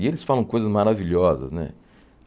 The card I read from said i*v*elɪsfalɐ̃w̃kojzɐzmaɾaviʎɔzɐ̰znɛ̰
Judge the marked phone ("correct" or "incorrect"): incorrect